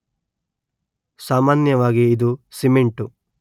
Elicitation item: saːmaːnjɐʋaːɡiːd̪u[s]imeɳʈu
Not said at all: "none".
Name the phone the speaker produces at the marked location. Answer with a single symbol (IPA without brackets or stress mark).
s